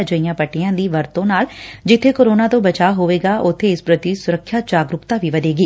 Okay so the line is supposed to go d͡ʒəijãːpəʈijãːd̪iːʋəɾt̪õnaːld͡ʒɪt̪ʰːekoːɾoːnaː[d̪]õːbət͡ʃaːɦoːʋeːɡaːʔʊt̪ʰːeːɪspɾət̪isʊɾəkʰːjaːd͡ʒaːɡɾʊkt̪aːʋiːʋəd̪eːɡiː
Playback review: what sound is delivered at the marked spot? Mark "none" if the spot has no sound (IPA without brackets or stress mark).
t̪